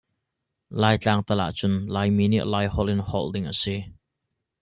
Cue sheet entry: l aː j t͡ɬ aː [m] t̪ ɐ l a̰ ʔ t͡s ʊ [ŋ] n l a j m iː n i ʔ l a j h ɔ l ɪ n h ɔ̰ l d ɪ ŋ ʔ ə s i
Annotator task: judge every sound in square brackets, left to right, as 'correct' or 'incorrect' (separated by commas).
incorrect, incorrect